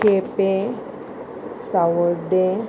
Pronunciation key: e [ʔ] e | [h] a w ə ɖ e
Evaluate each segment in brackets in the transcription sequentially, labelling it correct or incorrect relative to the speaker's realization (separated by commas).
incorrect, incorrect